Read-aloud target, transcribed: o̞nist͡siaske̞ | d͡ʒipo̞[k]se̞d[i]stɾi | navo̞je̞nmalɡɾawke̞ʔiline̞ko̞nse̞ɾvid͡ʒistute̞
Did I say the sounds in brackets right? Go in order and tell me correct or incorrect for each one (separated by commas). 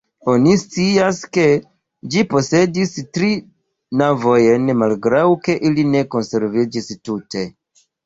incorrect, correct